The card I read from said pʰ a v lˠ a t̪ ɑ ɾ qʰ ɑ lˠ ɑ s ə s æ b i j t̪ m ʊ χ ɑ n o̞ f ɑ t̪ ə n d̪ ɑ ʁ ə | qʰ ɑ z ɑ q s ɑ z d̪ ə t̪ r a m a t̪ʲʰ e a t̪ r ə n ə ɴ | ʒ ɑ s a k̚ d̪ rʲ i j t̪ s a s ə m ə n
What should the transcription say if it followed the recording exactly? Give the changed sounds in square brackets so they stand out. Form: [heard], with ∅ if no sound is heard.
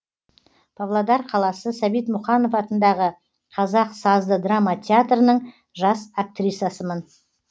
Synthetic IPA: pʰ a v lˠ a [d̪] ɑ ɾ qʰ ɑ lˠ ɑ s ə s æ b i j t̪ m ʊ χ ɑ n o̞ f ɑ t̪ ə n d̪ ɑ ʁ ə | qʰ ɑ z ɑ q s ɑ z d̪ ə [d̪] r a m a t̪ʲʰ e a t̪ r ə n ə ɴ | ʒ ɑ s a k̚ [t̪] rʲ i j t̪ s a s ə m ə n